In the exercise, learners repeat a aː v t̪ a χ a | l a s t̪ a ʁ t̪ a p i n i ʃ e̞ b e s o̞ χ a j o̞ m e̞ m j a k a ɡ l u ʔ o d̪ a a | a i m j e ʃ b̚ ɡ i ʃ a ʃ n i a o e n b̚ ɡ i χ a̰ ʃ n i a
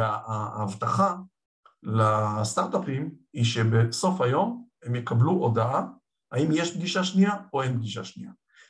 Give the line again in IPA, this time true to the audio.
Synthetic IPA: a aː v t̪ a χ a | l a s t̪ a ʁ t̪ a p i m i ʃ e̞ b e s o̞ f a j o̞ m e̞ m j e k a b l u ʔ o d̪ a a | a i m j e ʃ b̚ ɡ i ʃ a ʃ n i a o e n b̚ ɡ i ʃ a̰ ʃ n i a